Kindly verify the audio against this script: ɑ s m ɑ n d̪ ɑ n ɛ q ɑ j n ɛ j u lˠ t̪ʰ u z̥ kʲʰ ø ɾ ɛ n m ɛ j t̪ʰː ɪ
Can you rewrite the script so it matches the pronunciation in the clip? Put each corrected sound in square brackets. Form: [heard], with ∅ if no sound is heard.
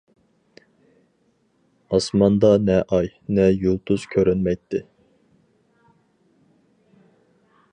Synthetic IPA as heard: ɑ s m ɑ n d̪ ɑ n ɛ [ʔ] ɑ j n ɛ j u lˠ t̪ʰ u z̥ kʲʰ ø ɾ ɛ n m ɛ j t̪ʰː ɪ